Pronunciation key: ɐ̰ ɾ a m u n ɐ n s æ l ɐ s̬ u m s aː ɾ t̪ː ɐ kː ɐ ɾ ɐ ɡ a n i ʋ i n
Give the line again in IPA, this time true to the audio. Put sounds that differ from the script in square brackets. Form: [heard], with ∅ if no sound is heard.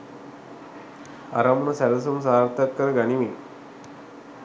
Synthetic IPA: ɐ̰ ɾ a m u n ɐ [∅] s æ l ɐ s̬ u m s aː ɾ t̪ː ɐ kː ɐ ɾ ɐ ɡ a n i ʋ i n